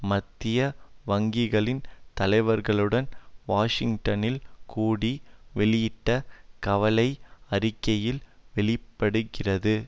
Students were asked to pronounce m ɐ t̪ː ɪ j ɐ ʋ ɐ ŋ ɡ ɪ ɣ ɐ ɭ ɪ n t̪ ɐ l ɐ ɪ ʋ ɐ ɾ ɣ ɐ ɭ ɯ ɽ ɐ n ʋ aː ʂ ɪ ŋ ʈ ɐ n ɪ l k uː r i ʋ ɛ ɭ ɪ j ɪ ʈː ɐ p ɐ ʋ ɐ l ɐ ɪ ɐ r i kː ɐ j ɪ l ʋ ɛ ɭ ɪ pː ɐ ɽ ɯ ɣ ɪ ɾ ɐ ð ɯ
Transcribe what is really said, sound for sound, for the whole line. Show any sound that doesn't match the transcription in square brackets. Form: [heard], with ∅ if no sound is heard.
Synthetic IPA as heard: m ɐ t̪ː ɪ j ɐ ʋ ɐ ŋ ɡ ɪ ɣ ɐ ɭ ɪ n t̪ ɐ l ɐ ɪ ʋ ɐ ɾ ɣ ɐ ɭ ɯ ɽ ɐ n ʋ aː ʂ ɪ ŋ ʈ ɐ n ɪ l k uː [ɽ] i ʋ ɛ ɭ ɪ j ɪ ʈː ɐ [k] ɐ ʋ ɐ l ɐ ɪ ɐ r [ɪ] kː ɐ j ɪ l ʋ ɛ ɭ ɪ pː ɐ ɽ ɯ ɣ ɪ [r] ɐ ð ɯ